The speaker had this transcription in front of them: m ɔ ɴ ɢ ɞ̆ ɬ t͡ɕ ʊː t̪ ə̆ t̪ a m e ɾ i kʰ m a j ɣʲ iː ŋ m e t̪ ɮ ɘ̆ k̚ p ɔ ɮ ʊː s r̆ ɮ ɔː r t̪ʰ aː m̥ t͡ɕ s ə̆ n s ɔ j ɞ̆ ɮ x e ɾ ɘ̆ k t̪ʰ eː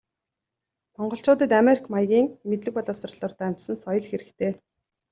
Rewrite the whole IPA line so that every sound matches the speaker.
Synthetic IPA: m ɔ ɴ ɢ ɞ̆ ɬ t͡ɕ ʊː t̪ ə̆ t̪ a m e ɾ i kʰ m a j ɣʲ iː ŋ m e t̪ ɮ ɘ̆ k̚ p ɔ ɮ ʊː s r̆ ɮ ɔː r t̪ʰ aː m̥ t͡ɕ s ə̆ n s ɔ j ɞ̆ ɮ x e ɾ ɘ̆ k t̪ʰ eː